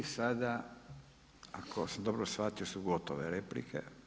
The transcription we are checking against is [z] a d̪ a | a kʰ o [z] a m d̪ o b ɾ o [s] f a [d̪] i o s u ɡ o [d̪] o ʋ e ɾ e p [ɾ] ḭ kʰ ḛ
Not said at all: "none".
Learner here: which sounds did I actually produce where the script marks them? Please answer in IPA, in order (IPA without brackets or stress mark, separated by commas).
s, s, s, t̪, t̪, l